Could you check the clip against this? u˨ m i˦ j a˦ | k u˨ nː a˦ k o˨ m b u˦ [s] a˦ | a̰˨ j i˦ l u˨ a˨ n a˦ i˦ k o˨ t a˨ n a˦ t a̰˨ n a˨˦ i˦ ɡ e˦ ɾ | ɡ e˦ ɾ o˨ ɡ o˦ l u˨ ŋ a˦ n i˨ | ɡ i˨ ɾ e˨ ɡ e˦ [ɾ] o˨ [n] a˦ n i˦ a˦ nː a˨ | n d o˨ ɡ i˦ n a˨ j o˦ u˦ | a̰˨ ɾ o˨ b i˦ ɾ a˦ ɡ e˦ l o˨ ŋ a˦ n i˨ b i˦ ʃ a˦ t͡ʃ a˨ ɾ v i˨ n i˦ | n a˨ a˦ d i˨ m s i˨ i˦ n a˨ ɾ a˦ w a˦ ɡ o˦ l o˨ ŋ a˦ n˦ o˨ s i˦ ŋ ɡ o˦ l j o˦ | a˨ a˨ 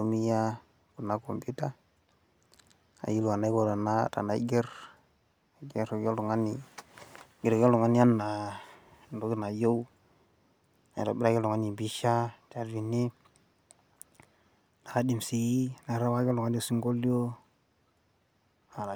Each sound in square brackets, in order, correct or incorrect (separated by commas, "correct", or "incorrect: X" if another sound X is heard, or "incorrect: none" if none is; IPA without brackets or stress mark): incorrect: t, incorrect: l, incorrect: ŋ